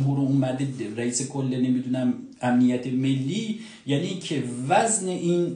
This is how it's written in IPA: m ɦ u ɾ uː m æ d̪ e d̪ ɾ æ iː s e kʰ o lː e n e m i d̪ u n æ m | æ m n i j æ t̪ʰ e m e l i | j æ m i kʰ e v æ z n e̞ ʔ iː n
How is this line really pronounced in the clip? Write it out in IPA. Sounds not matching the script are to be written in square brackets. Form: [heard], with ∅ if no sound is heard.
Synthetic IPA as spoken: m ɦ u ɾ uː m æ d̪ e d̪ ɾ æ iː s e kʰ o lː e n e m i d̪ u n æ m | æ m n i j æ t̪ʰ e m e [lː] i | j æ [n] i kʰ e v æ z n e̞ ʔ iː n